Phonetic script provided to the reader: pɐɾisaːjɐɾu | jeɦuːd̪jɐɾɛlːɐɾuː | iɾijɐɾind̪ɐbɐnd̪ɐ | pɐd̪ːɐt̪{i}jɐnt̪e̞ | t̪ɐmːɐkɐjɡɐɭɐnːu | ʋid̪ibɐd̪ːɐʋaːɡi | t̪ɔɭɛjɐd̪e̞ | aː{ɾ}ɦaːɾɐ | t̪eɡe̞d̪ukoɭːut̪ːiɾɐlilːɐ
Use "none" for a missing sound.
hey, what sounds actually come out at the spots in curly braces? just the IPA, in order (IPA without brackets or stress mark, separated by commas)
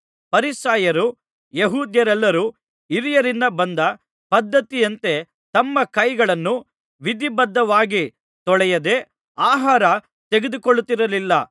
i, none